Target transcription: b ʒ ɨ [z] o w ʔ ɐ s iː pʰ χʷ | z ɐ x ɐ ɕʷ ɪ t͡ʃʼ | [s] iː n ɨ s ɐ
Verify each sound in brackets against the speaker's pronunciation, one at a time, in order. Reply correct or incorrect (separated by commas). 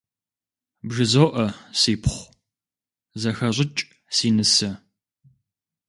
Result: correct, correct